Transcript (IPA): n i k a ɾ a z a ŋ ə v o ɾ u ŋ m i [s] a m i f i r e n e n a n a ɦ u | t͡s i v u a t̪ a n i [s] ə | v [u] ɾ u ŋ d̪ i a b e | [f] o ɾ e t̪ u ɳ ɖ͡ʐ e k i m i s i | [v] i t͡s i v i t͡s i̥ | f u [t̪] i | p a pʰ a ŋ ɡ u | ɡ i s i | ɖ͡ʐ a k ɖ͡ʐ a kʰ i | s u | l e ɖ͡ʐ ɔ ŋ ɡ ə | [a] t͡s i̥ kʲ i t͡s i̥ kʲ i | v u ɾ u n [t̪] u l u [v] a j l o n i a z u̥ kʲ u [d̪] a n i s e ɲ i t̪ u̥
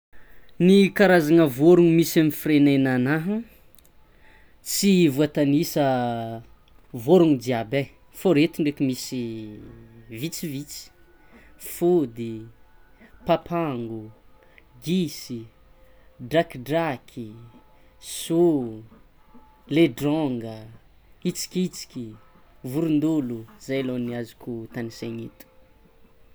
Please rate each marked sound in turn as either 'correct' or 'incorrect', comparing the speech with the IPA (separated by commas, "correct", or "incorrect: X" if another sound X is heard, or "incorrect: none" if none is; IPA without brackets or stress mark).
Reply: correct, correct, incorrect: o, correct, correct, incorrect: d̪, incorrect: i, incorrect: d̪, incorrect: z, incorrect: t̪